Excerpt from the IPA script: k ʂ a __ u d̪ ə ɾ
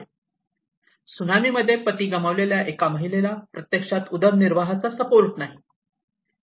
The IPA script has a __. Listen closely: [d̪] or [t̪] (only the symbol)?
t̪